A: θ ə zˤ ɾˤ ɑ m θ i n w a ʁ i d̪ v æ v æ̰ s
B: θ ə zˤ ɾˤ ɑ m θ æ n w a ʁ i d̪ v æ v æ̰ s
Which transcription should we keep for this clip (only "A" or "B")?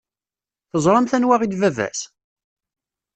B